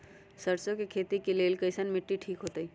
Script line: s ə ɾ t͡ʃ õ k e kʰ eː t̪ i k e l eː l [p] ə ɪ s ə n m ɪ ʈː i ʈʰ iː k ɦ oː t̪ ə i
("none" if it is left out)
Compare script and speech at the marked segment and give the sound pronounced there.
k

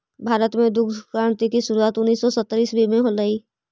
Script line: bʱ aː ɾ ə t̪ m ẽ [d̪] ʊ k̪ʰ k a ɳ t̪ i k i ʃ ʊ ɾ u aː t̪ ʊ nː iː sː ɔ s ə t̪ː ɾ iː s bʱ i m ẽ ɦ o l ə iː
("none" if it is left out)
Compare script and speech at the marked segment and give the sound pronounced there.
d̪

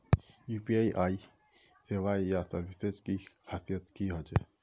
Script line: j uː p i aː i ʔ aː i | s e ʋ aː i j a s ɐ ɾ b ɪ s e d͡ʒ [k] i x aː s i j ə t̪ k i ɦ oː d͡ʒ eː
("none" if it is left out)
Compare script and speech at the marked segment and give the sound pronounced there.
k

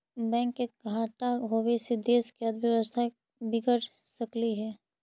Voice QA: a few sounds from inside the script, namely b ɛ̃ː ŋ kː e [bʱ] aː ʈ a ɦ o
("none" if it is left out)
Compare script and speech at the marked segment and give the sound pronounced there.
ɡʱ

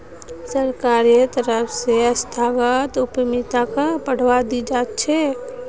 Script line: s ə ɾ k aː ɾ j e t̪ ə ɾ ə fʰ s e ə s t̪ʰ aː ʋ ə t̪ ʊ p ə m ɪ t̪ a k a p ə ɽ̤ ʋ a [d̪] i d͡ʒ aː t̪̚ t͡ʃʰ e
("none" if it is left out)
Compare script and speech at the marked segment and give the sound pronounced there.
d̪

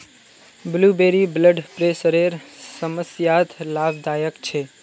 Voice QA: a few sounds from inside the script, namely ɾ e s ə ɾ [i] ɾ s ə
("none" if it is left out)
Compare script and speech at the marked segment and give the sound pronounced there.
e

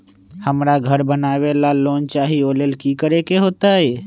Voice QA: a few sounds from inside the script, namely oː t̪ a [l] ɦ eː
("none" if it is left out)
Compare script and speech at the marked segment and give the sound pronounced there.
none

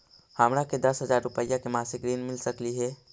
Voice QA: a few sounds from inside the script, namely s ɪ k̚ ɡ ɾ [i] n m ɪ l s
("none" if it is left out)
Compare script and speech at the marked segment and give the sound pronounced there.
iː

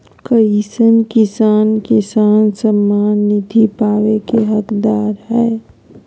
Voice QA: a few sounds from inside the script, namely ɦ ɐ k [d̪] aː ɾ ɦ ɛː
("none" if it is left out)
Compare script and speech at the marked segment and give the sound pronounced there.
d̪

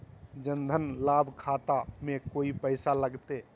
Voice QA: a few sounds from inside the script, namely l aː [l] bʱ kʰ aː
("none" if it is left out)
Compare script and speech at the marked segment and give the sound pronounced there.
none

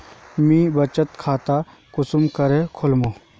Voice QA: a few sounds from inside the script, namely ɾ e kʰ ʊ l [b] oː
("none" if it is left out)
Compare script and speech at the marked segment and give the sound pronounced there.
m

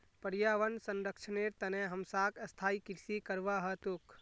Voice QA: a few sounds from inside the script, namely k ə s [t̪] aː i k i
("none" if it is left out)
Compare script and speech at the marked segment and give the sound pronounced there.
t̪ʰ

